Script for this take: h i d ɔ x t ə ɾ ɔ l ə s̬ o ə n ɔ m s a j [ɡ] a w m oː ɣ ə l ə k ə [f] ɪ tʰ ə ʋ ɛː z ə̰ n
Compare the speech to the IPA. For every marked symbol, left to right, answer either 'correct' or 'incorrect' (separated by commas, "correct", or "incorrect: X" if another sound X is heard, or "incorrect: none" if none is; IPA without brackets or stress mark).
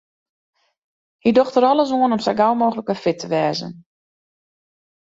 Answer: correct, correct